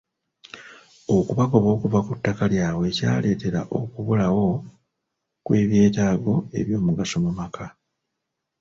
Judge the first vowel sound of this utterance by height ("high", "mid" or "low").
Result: mid